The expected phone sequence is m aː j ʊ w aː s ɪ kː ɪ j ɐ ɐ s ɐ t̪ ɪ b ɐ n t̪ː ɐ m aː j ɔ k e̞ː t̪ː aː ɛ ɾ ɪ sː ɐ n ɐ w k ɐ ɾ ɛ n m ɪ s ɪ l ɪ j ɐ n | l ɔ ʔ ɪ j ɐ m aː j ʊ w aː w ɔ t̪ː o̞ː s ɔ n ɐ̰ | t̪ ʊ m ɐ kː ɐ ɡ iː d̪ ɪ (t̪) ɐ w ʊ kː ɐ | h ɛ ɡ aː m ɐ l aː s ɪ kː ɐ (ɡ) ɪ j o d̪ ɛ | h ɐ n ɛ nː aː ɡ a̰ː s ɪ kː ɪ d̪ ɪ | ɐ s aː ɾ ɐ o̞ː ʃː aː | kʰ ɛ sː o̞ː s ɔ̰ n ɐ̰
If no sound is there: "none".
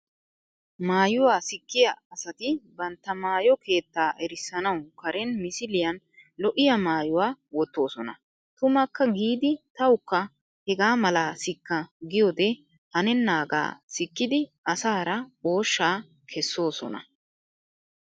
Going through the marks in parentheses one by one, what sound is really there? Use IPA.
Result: t̪, ɡ

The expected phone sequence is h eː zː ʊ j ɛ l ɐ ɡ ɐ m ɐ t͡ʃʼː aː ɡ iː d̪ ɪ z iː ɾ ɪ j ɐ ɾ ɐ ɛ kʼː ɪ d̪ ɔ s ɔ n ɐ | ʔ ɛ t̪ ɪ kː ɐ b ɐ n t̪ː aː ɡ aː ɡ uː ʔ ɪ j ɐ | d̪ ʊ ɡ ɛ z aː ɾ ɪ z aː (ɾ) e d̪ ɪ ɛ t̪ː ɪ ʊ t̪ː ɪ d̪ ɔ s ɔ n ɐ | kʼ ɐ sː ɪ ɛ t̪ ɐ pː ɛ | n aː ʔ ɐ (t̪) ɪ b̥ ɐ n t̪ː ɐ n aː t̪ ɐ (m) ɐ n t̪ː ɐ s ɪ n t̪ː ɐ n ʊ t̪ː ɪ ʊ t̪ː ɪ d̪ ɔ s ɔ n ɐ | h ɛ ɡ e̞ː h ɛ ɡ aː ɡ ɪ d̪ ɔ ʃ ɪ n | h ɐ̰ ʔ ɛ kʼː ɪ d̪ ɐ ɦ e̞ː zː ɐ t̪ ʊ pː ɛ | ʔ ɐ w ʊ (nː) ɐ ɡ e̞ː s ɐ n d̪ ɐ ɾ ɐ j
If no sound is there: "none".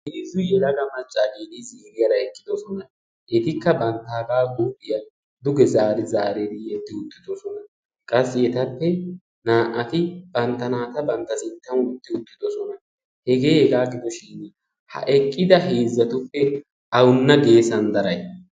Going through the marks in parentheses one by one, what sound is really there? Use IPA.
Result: ɾ, t̪, b, nː

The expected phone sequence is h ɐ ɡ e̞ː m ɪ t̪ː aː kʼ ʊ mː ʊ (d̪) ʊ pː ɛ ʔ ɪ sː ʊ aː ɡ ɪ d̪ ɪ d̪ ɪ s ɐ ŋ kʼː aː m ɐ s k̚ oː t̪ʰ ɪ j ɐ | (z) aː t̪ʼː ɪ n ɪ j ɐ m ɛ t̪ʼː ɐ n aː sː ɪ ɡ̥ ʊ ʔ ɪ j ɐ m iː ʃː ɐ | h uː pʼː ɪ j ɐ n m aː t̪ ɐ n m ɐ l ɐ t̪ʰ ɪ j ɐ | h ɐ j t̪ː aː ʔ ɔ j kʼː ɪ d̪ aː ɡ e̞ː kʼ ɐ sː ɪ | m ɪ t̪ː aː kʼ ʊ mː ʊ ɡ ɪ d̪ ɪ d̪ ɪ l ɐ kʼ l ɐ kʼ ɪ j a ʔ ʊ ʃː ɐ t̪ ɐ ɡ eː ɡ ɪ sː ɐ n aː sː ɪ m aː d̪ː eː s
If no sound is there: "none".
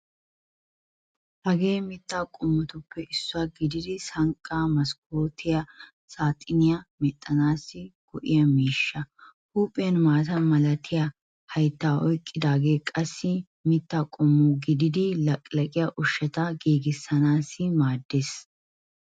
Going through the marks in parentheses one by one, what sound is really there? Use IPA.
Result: t̪, s

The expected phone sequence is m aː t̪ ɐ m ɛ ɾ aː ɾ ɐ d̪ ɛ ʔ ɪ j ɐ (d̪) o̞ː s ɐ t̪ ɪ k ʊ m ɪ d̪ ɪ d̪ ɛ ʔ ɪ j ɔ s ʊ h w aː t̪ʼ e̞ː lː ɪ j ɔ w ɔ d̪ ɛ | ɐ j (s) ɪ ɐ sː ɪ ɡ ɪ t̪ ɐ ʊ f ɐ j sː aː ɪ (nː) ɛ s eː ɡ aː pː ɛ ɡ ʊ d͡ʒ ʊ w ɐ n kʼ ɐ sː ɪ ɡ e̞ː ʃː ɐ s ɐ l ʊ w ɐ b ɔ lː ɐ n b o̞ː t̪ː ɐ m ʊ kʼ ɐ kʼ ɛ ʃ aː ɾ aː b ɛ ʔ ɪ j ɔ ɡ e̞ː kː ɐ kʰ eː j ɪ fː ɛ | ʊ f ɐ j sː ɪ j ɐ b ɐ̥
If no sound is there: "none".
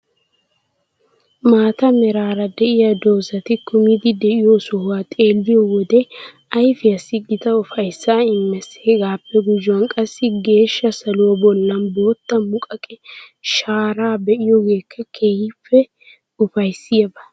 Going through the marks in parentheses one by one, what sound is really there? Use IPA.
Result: d̪, f, mː

